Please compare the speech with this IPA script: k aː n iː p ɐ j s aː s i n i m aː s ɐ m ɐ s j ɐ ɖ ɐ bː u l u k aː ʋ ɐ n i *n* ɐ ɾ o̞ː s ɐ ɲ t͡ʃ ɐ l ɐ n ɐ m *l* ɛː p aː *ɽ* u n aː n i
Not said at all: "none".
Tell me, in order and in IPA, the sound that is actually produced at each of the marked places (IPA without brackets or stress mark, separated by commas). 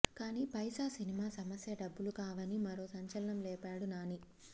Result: m, l, ɽ